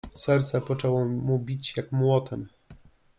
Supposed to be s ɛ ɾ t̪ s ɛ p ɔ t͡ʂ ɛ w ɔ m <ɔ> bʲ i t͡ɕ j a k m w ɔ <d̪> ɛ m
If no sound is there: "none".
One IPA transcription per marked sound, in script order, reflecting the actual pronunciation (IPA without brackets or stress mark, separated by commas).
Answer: u, t̪